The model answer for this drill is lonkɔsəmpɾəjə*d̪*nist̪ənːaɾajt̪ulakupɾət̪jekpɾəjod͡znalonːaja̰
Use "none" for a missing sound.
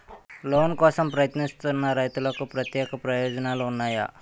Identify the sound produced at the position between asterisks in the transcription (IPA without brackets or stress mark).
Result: t̪